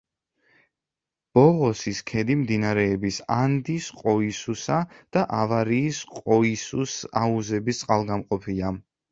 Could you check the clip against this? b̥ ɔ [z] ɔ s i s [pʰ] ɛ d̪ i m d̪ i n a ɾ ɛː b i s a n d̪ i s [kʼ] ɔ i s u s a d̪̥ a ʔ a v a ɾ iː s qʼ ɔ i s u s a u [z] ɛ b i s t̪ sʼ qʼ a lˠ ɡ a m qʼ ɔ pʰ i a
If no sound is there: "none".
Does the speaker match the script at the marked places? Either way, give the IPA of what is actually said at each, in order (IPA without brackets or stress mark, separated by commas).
ʁ, kʰ, qʼ, z